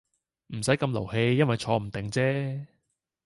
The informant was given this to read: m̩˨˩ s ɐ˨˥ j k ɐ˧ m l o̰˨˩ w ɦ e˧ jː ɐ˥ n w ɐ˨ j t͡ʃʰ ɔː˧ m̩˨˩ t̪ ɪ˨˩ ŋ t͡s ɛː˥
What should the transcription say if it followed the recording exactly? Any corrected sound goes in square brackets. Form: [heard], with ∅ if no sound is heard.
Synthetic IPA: m̩˨˩ s ɐ˨˥ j k ɐ˧ m l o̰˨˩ w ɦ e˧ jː ɐ˥ n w ɐ˨ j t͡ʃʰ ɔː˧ m̩˨˩ t̪ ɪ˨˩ ŋ t͡s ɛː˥

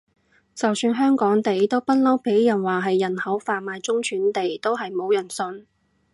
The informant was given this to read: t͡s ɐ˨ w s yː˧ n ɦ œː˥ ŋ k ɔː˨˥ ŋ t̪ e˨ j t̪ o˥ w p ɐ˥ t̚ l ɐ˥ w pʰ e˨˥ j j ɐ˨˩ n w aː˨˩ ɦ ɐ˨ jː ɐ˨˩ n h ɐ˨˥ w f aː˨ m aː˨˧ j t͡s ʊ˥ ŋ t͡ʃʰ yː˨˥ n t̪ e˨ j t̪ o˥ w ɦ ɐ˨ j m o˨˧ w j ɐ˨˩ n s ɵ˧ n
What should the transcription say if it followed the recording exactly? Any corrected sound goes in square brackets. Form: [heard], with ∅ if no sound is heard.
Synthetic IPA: t͡s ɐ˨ w s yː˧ n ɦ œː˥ ŋ k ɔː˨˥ ŋ t̪ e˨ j t̪ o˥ w p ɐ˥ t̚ l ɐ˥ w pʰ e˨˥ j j ɐ˨˩ n w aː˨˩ ɦ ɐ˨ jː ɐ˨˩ n h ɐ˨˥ w f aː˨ m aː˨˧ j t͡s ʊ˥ ŋ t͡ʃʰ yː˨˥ n t̪ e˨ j t̪ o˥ w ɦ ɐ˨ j m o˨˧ w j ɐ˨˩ n s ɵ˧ n

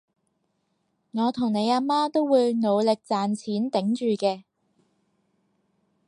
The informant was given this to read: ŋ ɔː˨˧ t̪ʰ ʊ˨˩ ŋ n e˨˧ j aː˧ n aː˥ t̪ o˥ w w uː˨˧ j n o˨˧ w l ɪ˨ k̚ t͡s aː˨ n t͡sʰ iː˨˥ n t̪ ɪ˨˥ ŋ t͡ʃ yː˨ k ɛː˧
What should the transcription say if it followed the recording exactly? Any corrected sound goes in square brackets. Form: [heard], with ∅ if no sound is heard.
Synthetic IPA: ŋ ɔː˨˧ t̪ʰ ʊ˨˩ ŋ n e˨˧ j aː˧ [m] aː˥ t̪ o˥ w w uː˨˧ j n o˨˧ w l ɪ˨ k̚ t͡s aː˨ n t͡sʰ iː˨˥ n t̪ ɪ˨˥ ŋ t͡ʃ yː˨ k ɛː˧

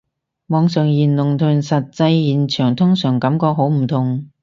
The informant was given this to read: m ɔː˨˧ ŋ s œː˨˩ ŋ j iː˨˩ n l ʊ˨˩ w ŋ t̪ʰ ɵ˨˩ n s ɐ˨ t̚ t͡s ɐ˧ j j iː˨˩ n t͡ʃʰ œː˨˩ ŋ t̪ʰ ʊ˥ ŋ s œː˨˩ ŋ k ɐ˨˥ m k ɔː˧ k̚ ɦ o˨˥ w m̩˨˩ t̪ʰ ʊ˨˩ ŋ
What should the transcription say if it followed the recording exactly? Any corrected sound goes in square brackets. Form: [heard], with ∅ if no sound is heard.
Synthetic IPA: m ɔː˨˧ ŋ s œː˨˩ ŋ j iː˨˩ n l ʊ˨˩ [∅] ŋ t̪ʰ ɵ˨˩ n s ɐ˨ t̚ t͡s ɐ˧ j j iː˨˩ n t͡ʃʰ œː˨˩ ŋ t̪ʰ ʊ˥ ŋ s œː˨˩ ŋ k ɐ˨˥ m k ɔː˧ k̚ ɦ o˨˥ w m̩˨˩ t̪ʰ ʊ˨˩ ŋ

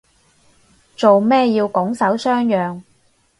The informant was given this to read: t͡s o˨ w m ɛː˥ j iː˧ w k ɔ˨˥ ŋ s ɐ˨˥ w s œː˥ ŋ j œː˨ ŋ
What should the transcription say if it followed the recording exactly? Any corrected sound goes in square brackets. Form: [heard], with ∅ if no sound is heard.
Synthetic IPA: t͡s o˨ w m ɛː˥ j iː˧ w k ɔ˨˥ ŋ s ɐ˨˥ w s œː˥ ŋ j œː˨ ŋ

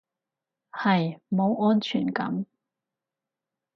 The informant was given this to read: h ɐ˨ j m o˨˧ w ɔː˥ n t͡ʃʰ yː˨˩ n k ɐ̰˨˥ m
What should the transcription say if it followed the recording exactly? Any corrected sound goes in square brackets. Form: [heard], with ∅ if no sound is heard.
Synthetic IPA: h ɐ˨ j m o˨˧ w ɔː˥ n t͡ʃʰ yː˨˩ n k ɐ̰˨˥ m

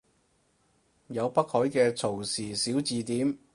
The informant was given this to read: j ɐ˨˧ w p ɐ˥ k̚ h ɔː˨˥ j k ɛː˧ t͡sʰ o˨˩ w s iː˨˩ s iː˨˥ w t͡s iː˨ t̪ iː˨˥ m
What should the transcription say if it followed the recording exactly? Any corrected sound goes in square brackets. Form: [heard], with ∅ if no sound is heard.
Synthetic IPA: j ɐ˨˧ w p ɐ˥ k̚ h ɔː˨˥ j k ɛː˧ t͡sʰ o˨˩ w s iː˨˩ s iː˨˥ w t͡s iː˨ t̪ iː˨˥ m

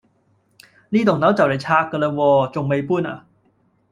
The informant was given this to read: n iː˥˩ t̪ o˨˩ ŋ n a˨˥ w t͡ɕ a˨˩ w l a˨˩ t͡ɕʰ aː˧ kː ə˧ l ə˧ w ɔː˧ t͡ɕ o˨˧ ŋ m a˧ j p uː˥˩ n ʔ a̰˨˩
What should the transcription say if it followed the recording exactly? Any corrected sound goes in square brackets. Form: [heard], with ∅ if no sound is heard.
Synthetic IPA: n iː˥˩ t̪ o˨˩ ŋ n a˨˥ w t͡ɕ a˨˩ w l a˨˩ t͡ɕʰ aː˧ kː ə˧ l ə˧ w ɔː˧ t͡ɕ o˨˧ ŋ m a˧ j p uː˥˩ n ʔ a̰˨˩

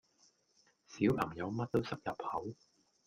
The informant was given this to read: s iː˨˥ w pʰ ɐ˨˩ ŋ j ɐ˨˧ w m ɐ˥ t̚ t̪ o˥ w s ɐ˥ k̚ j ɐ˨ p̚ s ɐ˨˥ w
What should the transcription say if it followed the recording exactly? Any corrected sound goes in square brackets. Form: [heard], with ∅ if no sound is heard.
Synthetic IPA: s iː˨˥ w pʰ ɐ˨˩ ŋ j ɐ˨˧ w m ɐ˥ t̚ t̪ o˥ w s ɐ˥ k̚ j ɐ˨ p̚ [h] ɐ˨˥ w

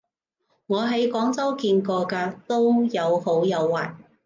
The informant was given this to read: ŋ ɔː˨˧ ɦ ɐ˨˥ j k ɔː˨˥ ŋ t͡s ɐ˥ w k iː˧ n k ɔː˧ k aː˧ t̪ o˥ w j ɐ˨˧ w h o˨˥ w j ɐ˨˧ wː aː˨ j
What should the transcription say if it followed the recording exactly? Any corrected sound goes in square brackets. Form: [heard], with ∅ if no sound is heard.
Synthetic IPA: ŋ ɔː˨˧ ɦ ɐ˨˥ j k ɔː˨˥ ŋ t͡s ɐ˥ w k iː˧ n k ɔː˧ k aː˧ t̪ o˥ w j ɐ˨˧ w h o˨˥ w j ɐ˨˧ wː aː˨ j

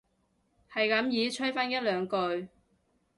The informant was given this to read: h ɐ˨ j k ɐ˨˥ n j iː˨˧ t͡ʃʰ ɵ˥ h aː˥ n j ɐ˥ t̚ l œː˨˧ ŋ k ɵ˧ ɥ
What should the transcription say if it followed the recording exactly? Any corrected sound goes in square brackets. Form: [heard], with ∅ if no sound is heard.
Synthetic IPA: h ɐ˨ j k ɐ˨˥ [m] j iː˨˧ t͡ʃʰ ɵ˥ [f] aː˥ n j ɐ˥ t̚ l œː˨˧ ŋ k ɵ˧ ɥ

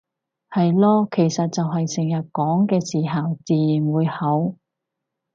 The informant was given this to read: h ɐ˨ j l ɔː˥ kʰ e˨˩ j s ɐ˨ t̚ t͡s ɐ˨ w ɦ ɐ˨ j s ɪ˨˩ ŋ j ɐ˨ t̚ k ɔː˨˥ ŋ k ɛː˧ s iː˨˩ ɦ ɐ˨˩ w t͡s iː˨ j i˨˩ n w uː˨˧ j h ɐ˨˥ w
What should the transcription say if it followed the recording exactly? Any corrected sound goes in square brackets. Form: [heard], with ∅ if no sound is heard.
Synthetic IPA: h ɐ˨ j l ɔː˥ kʰ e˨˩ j s ɐ˨ t̚ t͡s ɐ˨ w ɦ ɐ˨ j s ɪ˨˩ ŋ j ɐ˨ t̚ k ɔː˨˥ ŋ k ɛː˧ s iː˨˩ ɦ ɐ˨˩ w t͡s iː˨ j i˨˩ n w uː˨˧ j h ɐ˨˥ w

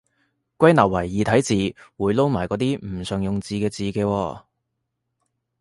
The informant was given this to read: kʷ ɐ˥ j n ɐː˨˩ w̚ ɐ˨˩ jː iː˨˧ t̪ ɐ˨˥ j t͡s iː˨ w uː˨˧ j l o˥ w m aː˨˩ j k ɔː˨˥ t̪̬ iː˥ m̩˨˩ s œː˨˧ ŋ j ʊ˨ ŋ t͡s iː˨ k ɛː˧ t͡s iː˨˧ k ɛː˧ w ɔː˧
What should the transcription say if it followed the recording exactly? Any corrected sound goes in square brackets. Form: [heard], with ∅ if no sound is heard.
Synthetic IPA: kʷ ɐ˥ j n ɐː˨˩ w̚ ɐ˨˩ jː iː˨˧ [t̪ʰ] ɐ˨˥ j t͡s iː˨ w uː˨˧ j l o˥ w m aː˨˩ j k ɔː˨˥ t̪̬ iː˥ m̩˨˩ s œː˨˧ ŋ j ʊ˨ ŋ t͡s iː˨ k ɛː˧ t͡s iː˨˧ k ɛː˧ w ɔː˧

